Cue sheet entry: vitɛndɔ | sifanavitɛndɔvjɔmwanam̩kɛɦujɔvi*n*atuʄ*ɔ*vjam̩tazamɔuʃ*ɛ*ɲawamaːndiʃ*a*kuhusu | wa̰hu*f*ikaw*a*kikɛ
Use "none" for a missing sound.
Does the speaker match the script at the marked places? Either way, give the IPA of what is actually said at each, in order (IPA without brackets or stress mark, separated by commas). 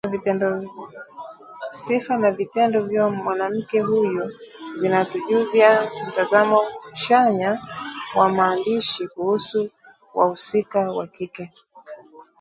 n, u, a, i, s, a